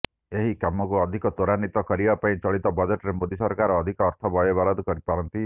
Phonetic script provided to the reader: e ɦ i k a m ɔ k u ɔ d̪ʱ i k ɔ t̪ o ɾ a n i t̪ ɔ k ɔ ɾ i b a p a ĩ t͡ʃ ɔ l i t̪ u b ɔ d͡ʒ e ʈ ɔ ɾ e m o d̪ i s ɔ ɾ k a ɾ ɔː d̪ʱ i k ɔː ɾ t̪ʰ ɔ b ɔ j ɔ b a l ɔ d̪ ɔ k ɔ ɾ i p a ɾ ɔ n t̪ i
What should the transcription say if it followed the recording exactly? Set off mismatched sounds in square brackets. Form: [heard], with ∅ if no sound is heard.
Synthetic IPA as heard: e ɦ i k a m ɔ k u ɔ d̪ʱ i k ɔ t̪ o ɾ a n i t̪ ɔ k ɔ ɾ i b a p a ĩ t͡ʃ ɔ [ɭ] i t̪ [ɔ] b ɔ d͡ʒ e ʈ ɔ ɾ e m o d̪ i s ɔ ɾ k a ɾ ɔː d̪ʱ i k ɔː ɾ t̪ʰ ɔ b ɔ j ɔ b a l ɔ d̪ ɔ k ɔ ɾ i p a ɾ ɔ n t̪ i